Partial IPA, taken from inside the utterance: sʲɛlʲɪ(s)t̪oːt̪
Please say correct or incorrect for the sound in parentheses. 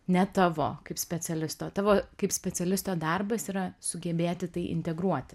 correct